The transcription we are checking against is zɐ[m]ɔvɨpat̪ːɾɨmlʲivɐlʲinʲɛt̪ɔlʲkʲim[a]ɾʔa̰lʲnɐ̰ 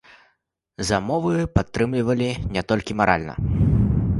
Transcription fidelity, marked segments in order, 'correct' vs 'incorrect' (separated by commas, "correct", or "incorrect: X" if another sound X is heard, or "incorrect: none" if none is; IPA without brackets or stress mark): correct, correct